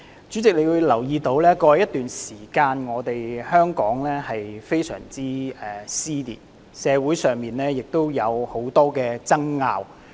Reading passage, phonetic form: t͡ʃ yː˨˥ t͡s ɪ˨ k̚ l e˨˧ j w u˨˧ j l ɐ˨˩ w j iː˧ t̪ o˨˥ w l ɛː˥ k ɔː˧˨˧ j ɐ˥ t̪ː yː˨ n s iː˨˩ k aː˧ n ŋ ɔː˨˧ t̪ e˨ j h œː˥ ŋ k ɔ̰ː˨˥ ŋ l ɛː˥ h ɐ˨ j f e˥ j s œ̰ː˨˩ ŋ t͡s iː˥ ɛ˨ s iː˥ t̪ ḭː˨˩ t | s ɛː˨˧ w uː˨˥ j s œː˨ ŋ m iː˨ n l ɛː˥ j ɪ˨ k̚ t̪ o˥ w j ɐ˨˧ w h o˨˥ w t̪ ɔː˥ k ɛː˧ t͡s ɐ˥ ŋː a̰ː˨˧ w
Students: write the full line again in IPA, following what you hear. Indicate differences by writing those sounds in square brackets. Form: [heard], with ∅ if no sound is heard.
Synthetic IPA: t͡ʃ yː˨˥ t͡s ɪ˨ k̚ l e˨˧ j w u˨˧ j l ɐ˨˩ w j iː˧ t̪ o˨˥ w l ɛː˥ k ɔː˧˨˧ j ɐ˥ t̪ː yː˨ n s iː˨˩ k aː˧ n ŋ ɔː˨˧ t̪ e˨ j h œː˥ ŋ k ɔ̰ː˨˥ ŋ l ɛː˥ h ɐ˨ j f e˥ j s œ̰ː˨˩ ŋ t͡s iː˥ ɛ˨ s iː˥ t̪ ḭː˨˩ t | s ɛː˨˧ w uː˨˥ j s œː˨ ŋ m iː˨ n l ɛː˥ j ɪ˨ k̚ t̪ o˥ w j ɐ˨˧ w h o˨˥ w t̪ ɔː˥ k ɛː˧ t͡s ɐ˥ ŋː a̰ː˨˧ w

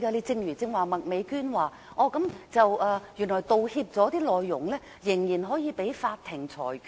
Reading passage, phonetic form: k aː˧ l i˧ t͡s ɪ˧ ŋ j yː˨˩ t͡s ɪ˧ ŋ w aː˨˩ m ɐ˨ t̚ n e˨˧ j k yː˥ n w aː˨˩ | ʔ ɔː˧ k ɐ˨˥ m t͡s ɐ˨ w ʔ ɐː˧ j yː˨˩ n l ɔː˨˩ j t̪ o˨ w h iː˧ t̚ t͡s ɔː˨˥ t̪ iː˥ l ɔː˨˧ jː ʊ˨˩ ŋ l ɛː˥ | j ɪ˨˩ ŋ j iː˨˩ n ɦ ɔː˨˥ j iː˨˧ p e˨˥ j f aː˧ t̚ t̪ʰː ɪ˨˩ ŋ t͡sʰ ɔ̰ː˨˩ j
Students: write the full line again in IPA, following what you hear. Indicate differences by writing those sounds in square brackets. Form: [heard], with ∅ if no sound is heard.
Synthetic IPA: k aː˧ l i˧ t͡s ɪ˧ ŋ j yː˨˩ t͡s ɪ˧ ŋ w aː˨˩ m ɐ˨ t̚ [m] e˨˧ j k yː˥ n w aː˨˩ | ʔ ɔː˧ k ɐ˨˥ m t͡s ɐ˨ w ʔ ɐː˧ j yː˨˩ n l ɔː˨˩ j t̪ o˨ w h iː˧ [p̚] t͡s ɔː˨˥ t̪ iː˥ l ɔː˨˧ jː ʊ˨˩ ŋ l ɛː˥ | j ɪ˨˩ ŋ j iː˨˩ n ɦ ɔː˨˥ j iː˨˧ p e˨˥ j f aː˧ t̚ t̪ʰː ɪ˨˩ ŋ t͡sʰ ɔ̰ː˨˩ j

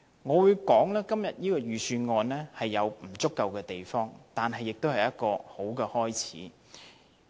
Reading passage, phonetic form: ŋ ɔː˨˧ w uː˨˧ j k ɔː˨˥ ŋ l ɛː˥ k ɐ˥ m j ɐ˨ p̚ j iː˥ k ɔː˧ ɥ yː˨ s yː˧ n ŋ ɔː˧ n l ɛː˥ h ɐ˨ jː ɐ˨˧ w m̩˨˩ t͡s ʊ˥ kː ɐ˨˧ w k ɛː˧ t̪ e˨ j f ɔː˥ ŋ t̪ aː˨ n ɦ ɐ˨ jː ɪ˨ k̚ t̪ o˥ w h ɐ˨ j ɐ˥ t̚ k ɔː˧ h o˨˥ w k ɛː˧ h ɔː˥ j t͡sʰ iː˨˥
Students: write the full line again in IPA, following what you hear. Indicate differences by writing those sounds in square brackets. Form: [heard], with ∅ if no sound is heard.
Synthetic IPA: ŋ ɔː˨˧ w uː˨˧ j k ɔː˨˥ ŋ l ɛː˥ k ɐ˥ m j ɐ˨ [t̚] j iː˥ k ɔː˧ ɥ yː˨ s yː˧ n ŋ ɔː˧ n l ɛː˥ h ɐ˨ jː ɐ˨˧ w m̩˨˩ t͡s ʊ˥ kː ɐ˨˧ w k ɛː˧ t̪ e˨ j f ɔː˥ ŋ t̪ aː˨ n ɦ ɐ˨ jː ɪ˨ k̚ t̪ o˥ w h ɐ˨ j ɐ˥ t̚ k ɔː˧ h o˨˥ w k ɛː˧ h ɔː˥ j t͡sʰ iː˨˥

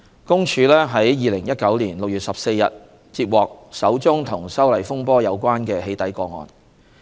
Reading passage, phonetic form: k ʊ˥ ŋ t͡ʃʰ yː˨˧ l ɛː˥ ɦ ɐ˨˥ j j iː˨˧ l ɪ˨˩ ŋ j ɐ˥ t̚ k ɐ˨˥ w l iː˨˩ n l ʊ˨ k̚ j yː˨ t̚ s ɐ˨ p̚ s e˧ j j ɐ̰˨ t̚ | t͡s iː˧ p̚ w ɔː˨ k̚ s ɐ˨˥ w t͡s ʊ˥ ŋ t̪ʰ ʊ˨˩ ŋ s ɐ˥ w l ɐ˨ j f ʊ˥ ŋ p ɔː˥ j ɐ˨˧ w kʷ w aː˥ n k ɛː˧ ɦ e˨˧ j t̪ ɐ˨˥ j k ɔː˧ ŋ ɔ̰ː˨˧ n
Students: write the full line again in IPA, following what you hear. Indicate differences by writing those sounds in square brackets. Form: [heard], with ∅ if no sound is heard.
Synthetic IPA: k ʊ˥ ŋ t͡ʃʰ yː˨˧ l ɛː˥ ɦ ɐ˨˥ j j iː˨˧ l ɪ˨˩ ŋ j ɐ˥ t̚ k ɐ˨˥ w l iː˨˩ n l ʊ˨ k̚ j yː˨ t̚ s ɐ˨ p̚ s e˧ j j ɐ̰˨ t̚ | t͡s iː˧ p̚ w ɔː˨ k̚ s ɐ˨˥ w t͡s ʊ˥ ŋ t̪ʰ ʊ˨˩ ŋ s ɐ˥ w l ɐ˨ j f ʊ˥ ŋ p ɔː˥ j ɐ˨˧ w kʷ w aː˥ n k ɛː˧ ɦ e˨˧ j t̪ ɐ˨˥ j k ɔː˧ ŋ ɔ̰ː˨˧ n

